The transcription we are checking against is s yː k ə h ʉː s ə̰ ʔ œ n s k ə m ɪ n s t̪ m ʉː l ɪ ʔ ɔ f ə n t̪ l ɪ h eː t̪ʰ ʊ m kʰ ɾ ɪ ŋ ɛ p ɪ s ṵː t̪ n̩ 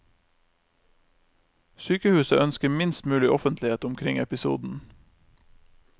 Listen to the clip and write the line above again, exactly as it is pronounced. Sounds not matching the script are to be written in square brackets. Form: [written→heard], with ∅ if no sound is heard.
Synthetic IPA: s yː k ə h ʉː s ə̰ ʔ œ n s k ə m ɪ n s t̪ m ʉː l ɪ ʔ ɔ f ə n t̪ l ɪ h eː [t̪ʰ→t̪] ʊ m kʰ ɾ ɪ ŋ ɛ p ɪ s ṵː [t̪→d̪] n̩